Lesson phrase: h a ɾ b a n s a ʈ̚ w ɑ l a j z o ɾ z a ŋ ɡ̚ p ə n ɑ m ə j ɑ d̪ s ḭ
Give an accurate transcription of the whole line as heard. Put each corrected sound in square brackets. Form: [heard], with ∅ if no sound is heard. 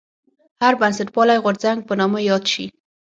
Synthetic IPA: h a ɾ b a n s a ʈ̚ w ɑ l a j [ɣ] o ɾ z a ŋ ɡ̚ p ə n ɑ m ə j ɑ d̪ [ʃ] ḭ